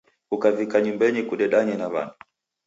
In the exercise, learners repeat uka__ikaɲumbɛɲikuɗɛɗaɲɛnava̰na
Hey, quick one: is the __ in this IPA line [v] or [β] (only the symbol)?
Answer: v